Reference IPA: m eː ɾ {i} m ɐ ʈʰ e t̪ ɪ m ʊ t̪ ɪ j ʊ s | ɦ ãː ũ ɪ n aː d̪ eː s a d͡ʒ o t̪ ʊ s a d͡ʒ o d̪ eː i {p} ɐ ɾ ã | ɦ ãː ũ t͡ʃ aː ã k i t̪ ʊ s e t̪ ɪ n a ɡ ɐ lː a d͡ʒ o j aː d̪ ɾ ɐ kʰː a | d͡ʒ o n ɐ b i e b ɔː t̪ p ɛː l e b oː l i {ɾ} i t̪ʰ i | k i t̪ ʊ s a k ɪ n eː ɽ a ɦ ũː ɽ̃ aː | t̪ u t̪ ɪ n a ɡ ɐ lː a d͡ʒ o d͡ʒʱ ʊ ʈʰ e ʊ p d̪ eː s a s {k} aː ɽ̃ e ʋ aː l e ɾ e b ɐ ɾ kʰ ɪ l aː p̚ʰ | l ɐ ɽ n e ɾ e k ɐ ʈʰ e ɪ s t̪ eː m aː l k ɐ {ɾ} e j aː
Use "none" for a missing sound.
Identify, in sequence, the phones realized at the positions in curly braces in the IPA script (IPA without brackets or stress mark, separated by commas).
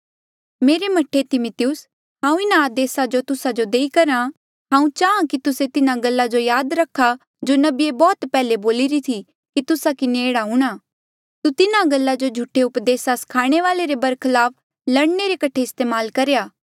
e, k, ɾ, kʰ, ɾ